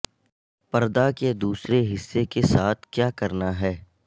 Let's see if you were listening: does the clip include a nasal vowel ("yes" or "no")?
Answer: no